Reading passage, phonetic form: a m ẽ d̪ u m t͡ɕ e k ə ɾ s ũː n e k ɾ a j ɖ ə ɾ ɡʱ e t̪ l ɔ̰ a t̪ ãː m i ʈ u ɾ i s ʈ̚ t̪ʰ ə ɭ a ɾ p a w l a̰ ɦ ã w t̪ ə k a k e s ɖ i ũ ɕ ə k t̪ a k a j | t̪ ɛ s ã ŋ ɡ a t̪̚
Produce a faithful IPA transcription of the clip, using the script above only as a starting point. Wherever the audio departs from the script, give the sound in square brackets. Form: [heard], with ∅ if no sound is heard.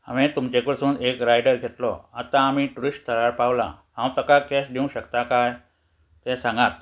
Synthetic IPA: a m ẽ [t̪] u m t͡ɕ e k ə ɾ s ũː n e k ɾ a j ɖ ə ɾ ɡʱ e t̪ l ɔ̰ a t̪ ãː m i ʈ u ɾ i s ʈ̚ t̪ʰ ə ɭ a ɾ p a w l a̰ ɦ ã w t̪ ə k a k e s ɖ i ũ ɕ ə k t̪ a k a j | t̪ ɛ s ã ŋ ɡ a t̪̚